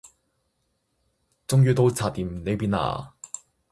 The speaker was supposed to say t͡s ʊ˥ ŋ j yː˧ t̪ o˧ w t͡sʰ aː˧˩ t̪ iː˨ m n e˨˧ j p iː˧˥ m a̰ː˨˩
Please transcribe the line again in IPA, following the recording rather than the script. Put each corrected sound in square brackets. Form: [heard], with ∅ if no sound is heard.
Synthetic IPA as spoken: t͡s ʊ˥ ŋ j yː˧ t̪ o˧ w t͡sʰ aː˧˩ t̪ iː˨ m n e˨˧ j p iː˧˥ [n] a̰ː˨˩